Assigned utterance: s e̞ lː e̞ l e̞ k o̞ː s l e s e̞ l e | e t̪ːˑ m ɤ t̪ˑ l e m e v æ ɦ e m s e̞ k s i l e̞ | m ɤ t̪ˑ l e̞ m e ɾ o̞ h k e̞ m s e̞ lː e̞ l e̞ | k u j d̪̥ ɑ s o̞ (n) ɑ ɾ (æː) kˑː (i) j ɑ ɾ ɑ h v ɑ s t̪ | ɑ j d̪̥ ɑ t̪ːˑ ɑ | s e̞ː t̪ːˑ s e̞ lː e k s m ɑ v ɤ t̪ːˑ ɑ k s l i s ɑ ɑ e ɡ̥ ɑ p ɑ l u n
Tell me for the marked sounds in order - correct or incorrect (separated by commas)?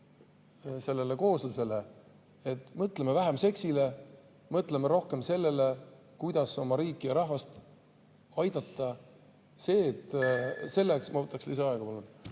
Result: incorrect, incorrect, correct